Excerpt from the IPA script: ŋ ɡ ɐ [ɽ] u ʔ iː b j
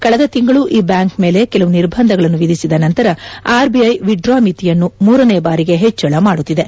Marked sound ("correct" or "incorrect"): incorrect